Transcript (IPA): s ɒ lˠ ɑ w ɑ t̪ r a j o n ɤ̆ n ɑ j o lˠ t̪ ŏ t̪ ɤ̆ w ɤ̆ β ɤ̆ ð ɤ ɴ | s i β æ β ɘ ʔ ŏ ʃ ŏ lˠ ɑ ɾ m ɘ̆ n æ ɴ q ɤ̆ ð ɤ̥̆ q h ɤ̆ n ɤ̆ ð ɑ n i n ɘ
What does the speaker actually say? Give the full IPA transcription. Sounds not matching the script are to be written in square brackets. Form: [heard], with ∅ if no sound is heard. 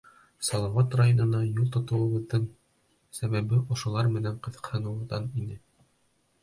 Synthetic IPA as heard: s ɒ lˠ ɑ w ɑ t̪ r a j o n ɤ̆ n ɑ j [u] lˠ t̪ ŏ t̪ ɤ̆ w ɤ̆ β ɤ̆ ð ɤ ɴ | s [æ] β æ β ɘ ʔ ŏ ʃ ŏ lˠ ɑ ɾ m ɘ̆ n æ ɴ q ɤ̆ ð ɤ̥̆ q h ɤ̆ n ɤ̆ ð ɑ n i n ɘ